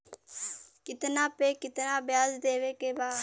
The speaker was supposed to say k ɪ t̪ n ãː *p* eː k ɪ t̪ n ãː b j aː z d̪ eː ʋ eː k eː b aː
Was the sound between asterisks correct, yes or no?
yes